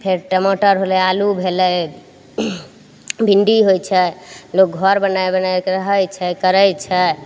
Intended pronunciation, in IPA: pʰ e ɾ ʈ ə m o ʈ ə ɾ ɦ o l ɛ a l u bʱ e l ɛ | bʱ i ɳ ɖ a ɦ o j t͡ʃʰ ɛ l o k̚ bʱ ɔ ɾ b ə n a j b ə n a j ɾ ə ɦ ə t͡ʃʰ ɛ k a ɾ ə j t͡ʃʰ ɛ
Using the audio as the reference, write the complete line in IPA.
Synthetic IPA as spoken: pʰ e ɾ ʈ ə m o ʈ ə ɾ ɦ o l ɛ a l u bʱ e l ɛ | bʱ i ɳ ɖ i ɦ o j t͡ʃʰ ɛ l o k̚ ɡʱ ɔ ɾ b ə n a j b ə n a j ɾ ə ɦ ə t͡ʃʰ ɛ k ə ɾ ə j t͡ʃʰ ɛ